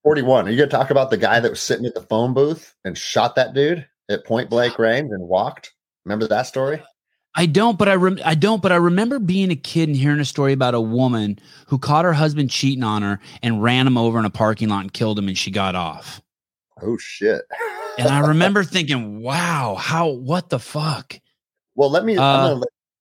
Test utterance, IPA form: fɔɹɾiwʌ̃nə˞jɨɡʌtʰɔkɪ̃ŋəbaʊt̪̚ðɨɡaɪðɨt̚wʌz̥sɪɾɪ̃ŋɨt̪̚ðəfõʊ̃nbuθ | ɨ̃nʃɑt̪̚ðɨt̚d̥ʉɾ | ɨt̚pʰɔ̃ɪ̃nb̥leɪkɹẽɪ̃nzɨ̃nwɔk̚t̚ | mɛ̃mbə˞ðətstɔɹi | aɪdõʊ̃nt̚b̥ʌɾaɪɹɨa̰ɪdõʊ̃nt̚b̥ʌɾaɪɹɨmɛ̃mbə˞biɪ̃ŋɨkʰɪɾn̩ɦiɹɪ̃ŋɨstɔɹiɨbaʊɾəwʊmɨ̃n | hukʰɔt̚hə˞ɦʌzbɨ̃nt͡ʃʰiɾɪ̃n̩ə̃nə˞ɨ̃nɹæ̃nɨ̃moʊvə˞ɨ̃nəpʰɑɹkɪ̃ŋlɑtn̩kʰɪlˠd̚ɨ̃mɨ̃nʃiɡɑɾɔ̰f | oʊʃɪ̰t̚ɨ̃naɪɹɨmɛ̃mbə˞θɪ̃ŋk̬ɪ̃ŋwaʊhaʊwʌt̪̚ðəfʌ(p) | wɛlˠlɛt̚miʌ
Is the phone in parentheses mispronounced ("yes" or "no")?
yes